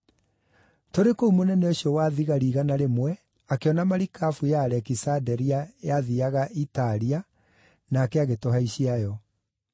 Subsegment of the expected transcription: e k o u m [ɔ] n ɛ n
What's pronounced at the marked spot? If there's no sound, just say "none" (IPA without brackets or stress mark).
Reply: o